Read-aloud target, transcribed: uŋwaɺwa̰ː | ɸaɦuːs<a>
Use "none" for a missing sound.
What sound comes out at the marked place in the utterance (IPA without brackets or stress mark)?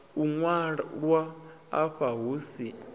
i